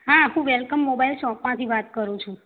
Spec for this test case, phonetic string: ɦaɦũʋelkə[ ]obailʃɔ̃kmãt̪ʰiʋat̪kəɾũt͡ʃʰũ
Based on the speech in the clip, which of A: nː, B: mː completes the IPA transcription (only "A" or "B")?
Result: B